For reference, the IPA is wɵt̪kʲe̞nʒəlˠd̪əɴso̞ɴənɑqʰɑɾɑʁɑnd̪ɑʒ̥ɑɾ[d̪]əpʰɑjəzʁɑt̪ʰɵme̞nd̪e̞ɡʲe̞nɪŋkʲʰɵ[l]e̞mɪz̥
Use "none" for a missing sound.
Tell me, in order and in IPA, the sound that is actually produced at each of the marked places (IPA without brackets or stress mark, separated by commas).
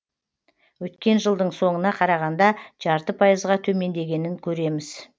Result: t̪, ɾ